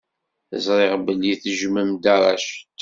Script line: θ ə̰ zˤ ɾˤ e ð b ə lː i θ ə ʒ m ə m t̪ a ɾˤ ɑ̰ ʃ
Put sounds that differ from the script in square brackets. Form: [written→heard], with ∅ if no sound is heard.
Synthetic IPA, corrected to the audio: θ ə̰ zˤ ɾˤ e [ð→ʁ] b ə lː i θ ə ʒ m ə m [t̪→d̪] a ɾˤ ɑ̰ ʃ

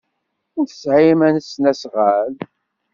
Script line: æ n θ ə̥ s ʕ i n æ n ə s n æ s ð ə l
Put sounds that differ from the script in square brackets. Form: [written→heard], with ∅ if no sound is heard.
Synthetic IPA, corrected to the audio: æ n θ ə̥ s ʕ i [n→m] æ n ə s n æ s [ð→ʁ] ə l

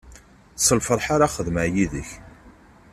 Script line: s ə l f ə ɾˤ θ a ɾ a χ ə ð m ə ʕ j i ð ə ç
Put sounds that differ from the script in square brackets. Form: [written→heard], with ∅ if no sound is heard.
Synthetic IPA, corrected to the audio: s ə l f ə ɾˤ [θ→ħ] a ɾ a χ ə ð m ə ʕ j i ð ə ç

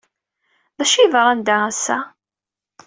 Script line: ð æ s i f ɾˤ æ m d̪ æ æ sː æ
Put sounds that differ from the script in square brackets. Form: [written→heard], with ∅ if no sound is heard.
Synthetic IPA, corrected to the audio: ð æ [s→ʃ] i [f→v] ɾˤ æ [m→n] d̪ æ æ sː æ

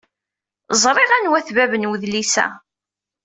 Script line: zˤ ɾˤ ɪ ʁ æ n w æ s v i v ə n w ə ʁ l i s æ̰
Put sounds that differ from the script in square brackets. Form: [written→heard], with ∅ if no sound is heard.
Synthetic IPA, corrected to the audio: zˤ ɾˤ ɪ ʁ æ n w æ [s→θ] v [i→æ] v ə n w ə [ʁ→ð] l i s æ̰

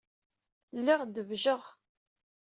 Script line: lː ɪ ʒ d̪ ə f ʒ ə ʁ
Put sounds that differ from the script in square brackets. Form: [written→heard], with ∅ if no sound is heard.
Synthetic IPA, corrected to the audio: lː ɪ [ʒ→ʁ] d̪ ə [f→v] ʒ ə ʁ

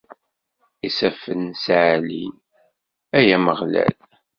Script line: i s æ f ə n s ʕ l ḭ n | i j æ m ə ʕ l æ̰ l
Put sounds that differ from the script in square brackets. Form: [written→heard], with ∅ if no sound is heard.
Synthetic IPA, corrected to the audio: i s æ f ə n s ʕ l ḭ n | [i→æ] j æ m ə [ʕ→ʁ] l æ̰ l

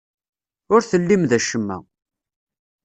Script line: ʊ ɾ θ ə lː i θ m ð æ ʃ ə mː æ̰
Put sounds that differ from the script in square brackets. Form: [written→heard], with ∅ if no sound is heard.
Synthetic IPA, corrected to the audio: ʊ ɾ θ ə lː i [θ→∅] m ð æ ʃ ə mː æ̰

